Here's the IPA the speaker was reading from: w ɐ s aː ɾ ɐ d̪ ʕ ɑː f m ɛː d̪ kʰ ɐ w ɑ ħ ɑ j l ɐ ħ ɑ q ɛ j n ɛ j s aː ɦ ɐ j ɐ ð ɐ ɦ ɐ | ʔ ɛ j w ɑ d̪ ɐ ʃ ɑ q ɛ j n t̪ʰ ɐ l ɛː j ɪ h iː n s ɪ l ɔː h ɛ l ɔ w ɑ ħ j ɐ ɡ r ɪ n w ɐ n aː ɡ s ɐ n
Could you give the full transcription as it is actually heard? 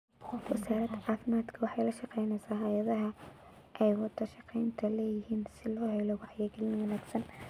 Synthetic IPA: w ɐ s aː ɾ ɐ d̪ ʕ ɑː f m aː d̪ kʰ ɐ w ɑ ħ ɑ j l ɐ ʃ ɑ q ɛ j n ɛ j s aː ɦ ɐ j ɐ ð ɐ ɦ ɐ | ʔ ɛ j w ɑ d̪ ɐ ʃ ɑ q ɛ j n t̪ʰ ɐ l ɛː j ɪ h iː n s ɪ l ɔː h ɛ l ɔ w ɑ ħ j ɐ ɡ l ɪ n w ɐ n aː ɡ s ɐ n

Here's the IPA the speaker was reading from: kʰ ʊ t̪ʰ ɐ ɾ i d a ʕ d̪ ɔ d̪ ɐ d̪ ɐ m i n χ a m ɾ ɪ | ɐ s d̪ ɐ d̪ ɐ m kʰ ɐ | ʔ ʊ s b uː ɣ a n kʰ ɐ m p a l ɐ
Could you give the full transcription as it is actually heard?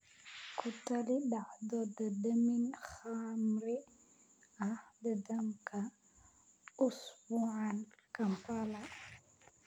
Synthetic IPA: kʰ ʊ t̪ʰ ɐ l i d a ʕ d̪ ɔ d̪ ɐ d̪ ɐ m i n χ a m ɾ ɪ | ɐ h d̪ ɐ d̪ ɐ m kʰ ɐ | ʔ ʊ s b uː ʕ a n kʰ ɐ m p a l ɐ

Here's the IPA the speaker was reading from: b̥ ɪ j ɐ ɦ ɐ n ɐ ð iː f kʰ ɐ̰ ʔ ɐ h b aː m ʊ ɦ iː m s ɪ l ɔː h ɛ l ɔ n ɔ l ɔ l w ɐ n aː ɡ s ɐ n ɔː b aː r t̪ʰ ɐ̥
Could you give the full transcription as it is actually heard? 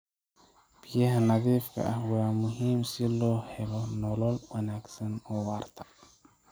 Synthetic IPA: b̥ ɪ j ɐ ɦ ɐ n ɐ ð iː f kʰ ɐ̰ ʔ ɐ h w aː m ʊ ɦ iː m s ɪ l ɔː h ɛ l ɔ n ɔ l ɔ l w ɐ n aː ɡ s ɐ n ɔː w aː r t̪ʰ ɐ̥

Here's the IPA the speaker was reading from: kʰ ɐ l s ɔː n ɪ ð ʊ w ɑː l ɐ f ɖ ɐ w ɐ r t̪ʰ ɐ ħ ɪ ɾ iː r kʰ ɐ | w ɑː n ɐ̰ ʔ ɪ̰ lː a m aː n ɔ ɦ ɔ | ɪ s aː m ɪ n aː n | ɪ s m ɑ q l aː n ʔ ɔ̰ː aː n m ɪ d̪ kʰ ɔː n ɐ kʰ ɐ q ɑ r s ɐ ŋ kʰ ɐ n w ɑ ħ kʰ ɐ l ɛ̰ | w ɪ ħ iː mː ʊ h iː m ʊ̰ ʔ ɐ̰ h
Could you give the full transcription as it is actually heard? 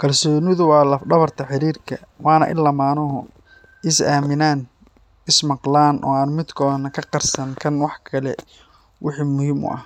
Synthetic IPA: kʰ ɐ l s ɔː n ɪ ð ʊ w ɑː l ɐ f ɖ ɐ β ɐ r t̪ʰ ɐ ħ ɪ ɾ iː r kʰ ɐ | w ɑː n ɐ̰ ʔ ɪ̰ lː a m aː n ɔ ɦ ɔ | ɪ s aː m ɪ n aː n | ɪ s m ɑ q l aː n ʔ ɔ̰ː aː n m ɪ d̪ kʰ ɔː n ɐ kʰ ɐ q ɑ r s ɐ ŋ kʰ ɐ n w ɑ ħ kʰ ɐ l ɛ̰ | w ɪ ħ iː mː ʊ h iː m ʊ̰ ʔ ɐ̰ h

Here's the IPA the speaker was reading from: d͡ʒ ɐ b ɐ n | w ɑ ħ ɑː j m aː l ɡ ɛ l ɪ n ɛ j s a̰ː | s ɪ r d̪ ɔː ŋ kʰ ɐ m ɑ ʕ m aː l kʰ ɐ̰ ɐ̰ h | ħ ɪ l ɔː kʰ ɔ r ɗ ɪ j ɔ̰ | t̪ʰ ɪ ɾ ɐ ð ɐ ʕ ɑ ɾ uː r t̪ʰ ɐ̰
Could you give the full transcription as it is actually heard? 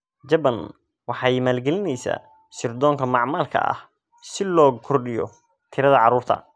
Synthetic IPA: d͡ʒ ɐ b ɐ n | w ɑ ħ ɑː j m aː l ɡ ɛ l ɪ n ɛ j s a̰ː | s ɪ r d̪ ɔː ŋ kʰ ɐ m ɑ ʕ m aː l kʰ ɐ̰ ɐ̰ h | s ɪ l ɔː kʰ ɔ r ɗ ɪ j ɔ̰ | t̪ʰ ɪ ɾ ɐ ð ɐ ʕ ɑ ɾ uː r t̪ʰ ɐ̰

